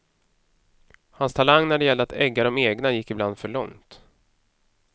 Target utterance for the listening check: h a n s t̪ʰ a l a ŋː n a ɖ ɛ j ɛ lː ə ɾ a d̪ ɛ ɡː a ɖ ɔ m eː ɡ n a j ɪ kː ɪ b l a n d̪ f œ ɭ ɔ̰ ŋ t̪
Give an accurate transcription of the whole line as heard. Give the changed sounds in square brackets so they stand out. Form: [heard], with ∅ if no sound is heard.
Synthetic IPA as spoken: h a n s t̪ʰ a l a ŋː n [æ] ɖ ɛ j ɛ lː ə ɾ a [t̪] ɛ ɡː a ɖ ɔ m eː ɡ n a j ɪ kː ɪ b l a n d̪ f œ ɭ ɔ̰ ŋ t̪